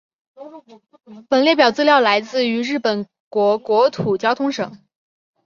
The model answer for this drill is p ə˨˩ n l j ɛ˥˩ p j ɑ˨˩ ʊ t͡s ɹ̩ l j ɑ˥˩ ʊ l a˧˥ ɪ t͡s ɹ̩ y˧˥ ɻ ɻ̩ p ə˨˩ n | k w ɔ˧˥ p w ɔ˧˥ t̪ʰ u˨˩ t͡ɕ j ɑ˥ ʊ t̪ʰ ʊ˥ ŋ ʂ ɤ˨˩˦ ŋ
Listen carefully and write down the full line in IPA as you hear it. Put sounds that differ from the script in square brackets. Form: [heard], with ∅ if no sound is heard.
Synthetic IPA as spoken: p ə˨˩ n l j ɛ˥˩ p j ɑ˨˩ ʊ t͡s ɹ̩ l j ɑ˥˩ ʊ l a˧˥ ɪ t͡s ɹ̩ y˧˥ ɻ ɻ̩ p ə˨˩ n | k w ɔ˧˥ [k] w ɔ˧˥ t̪ʰ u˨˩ t͡ɕ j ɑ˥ ʊ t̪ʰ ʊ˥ ŋ ʂ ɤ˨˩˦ ŋ